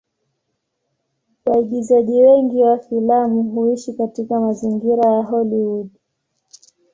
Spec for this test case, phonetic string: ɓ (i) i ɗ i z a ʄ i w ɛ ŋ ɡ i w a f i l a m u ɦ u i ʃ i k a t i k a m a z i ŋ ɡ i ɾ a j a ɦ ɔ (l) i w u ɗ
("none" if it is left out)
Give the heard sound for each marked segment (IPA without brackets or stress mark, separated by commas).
a, l